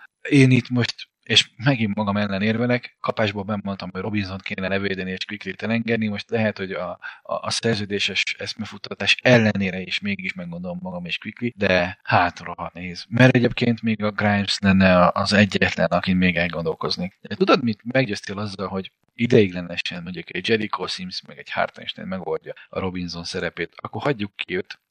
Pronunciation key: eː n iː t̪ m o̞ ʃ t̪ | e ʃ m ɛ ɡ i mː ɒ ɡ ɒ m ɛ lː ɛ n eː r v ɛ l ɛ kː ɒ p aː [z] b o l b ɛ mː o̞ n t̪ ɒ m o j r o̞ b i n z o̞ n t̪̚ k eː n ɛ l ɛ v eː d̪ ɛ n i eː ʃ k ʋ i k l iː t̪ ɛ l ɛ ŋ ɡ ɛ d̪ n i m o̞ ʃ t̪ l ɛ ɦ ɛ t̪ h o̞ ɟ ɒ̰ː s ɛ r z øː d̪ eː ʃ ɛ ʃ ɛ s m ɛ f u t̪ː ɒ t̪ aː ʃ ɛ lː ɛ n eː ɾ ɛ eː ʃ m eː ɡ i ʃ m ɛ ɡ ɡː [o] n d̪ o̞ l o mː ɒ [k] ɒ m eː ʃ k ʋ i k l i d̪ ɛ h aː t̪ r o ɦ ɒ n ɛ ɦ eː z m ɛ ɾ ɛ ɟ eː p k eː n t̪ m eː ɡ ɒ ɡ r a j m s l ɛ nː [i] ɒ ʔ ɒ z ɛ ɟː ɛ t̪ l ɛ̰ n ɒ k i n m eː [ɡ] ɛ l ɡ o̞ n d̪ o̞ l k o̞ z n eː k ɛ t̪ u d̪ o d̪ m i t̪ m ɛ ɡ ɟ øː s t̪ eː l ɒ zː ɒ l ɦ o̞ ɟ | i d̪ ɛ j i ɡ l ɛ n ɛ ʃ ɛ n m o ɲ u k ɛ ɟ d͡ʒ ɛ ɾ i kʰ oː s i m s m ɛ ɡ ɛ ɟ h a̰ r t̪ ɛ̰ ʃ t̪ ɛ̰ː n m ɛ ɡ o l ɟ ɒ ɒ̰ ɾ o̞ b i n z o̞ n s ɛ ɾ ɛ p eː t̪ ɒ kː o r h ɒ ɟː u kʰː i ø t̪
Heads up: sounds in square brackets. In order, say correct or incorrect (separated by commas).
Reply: incorrect, correct, incorrect, incorrect, correct